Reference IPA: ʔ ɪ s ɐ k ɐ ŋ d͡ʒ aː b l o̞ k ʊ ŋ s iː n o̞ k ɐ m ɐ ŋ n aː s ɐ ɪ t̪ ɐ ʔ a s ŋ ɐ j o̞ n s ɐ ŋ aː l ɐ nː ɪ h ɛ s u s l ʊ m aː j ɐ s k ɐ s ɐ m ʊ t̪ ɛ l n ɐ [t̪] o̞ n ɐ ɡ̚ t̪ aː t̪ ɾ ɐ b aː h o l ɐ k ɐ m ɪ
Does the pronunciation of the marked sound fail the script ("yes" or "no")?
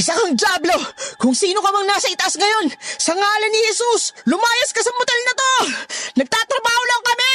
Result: no